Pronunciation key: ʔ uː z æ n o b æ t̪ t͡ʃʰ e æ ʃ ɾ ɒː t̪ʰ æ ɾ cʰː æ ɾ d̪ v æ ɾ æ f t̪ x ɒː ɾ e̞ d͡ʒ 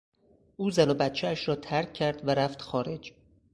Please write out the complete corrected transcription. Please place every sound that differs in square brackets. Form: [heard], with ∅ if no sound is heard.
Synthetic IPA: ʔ uː z æ n o b æ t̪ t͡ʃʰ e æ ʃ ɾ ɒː t̪ʰ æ ɾ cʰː æ ɾ d̪ v æ ɾ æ f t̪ x ɒː ɾ e̞ d͡ʒ